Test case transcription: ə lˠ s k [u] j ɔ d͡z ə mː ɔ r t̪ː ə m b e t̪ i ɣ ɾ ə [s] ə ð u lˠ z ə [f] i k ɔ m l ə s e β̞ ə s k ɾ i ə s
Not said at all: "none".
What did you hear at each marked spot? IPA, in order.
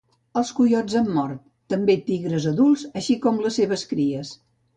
u, z, ʃ

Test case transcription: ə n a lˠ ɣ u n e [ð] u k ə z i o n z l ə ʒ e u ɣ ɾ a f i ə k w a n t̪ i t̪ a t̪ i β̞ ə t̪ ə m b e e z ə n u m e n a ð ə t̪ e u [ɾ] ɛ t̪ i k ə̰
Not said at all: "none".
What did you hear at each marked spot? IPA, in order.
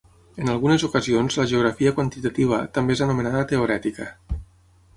z, ɾ

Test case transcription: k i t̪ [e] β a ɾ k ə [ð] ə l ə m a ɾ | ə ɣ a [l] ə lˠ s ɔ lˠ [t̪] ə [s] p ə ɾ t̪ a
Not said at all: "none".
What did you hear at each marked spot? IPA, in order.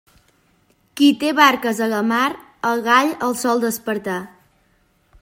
e, z, ʎ, d̪, s

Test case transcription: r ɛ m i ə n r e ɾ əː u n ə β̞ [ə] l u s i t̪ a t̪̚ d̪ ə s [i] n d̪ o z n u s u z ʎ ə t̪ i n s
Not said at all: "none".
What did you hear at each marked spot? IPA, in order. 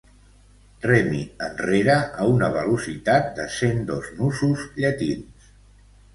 ə, e

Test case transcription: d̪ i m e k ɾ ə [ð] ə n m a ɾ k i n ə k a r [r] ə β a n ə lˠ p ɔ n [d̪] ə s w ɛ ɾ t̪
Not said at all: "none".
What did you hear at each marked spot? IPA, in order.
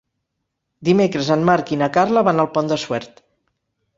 z, l, d̪

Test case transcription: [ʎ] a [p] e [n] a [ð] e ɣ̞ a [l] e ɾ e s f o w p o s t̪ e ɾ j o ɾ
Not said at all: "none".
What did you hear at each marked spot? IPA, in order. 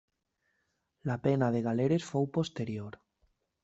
l, p, n, ð, l

